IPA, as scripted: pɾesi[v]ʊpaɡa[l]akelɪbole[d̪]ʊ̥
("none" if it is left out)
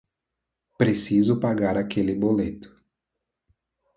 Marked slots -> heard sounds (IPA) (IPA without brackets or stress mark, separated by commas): z, ɾ, t̪